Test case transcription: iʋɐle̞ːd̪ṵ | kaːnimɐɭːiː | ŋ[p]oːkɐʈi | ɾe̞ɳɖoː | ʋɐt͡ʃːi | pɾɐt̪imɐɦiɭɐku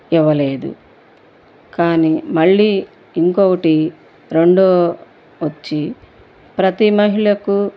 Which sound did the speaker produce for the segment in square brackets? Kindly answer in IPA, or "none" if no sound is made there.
k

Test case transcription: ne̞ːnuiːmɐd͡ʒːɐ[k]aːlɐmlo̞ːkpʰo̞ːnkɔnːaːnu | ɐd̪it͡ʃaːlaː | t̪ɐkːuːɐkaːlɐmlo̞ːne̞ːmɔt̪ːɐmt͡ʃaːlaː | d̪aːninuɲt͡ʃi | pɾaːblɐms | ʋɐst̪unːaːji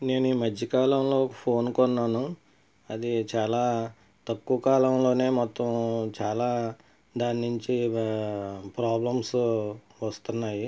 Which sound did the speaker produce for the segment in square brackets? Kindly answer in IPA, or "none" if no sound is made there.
k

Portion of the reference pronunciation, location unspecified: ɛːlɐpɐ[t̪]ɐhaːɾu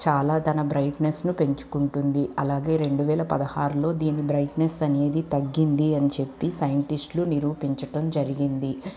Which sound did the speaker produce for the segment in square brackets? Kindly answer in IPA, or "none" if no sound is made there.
d̪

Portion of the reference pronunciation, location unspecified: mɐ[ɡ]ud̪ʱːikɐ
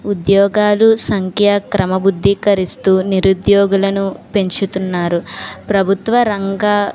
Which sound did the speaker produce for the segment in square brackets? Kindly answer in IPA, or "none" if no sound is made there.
b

